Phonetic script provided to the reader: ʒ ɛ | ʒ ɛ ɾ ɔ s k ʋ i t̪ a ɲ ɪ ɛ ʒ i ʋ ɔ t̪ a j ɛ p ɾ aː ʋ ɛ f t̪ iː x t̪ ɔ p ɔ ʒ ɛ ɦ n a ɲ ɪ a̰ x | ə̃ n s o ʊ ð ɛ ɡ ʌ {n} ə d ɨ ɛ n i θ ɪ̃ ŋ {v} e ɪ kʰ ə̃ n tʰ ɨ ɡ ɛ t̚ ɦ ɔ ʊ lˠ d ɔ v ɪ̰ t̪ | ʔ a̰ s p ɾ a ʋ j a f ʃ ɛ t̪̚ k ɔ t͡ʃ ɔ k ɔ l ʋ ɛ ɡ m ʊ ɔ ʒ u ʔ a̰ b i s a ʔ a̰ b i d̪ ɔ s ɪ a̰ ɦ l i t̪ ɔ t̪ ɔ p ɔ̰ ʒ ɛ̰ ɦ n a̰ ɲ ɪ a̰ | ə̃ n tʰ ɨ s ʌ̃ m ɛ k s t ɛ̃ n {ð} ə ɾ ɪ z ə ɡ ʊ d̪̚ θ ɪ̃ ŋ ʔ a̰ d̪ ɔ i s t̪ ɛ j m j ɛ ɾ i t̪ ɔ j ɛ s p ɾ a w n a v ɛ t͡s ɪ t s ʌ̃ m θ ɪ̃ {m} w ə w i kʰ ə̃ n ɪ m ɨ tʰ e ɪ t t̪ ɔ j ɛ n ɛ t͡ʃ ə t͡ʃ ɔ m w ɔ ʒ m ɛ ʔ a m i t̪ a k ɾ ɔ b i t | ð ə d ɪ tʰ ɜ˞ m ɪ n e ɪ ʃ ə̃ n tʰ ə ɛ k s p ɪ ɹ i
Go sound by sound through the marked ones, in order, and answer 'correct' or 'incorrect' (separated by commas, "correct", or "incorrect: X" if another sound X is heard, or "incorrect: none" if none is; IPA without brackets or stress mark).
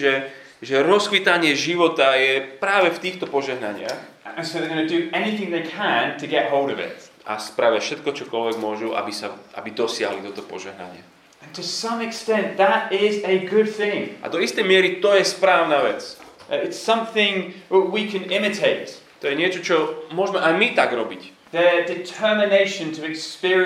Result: correct, incorrect: ð, correct, incorrect: ŋ